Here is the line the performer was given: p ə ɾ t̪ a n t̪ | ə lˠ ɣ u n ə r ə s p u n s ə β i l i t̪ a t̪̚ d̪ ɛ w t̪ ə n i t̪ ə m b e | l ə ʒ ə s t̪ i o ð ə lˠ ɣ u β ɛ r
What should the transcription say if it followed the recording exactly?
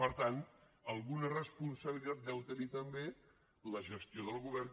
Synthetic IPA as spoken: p ə ɾ t̪ a n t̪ | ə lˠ ɣ u n ə r ə s p u n s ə β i l i t̪ a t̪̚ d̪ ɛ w t̪ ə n i t̪ ə m b e | l ə ʒ ə s t̪ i o ð ə lˠ ɣ u β ɛ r